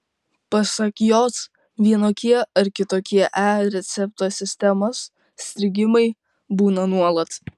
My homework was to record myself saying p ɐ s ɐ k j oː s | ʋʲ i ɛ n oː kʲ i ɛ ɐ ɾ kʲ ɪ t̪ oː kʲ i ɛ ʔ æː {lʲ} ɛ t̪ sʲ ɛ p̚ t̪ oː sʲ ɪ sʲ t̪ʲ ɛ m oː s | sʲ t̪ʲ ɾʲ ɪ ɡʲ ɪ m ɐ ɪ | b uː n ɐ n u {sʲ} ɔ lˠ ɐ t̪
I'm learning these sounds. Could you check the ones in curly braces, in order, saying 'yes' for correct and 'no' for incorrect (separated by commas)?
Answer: no, no